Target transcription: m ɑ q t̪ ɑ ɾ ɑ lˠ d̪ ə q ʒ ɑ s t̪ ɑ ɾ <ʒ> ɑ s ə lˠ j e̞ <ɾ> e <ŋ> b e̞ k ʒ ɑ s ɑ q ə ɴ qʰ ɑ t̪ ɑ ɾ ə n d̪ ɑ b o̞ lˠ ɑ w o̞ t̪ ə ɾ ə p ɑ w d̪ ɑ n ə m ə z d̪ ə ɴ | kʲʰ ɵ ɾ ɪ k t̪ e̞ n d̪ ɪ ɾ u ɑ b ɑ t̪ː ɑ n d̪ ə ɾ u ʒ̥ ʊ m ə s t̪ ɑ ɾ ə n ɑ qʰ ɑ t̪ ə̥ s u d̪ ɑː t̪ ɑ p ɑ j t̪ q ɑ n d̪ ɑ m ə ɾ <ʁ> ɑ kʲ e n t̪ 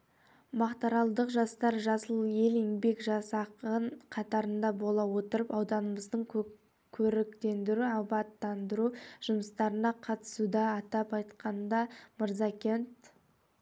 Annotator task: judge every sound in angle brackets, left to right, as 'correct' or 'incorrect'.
correct, incorrect: l, correct, incorrect: z

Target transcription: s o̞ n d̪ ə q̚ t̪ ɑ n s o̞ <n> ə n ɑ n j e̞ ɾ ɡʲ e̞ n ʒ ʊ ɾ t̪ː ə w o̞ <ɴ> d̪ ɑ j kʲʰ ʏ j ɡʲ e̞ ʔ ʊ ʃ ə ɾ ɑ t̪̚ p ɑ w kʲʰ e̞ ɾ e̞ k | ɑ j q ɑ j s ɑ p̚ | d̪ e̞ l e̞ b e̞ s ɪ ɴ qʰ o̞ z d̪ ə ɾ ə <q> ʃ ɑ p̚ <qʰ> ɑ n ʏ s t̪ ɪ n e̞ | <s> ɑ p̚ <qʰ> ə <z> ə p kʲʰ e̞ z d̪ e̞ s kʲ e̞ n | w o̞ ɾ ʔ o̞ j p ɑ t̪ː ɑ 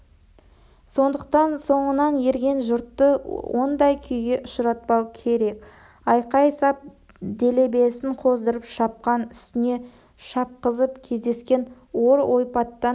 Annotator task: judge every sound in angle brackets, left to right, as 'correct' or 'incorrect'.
incorrect: ɴ, incorrect: n, incorrect: p, incorrect: q, incorrect: ʃ, incorrect: q, correct

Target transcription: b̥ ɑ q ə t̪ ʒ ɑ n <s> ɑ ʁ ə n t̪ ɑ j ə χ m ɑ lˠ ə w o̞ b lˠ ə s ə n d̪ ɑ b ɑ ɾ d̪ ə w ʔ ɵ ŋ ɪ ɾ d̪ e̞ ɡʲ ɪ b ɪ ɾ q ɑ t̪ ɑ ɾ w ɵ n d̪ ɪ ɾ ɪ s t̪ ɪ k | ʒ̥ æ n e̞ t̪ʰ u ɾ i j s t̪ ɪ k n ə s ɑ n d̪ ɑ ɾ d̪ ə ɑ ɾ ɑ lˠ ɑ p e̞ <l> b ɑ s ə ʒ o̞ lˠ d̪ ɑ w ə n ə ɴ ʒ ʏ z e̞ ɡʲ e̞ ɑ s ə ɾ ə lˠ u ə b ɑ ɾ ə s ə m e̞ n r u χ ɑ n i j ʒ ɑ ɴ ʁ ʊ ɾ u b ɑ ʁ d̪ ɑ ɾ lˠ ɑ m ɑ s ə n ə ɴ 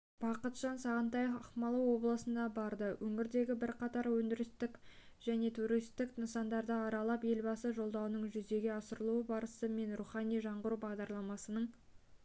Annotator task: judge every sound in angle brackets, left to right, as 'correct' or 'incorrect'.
correct, correct

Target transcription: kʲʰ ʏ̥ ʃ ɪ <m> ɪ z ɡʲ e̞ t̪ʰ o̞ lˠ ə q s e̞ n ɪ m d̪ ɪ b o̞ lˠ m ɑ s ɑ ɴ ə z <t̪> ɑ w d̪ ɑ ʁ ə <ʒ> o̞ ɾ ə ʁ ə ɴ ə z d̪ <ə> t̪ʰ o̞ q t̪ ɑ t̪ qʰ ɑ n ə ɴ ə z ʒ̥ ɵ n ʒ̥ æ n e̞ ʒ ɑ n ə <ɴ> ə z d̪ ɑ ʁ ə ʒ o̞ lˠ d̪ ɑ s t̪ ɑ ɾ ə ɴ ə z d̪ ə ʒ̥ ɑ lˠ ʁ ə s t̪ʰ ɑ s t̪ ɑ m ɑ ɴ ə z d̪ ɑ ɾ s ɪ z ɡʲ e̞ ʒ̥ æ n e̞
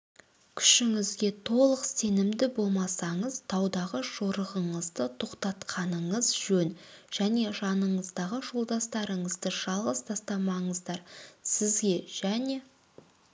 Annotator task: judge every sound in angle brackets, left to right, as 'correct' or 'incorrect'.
incorrect: ŋ, incorrect: t̪ʰ, correct, correct, correct

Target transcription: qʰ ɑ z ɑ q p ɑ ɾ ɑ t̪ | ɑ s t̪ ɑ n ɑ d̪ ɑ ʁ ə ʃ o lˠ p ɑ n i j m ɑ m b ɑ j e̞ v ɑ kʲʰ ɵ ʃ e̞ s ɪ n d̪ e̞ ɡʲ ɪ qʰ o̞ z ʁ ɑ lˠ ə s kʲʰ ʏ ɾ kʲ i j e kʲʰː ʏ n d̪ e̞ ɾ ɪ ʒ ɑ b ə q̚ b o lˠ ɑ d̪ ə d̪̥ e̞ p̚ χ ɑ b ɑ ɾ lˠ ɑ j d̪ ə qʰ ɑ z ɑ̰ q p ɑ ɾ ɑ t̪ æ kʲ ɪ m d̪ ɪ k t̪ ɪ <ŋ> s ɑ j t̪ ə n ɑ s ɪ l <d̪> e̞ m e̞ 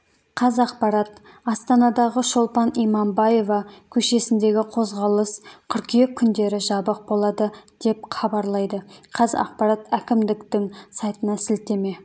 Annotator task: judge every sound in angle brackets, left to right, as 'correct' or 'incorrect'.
correct, incorrect: t̪

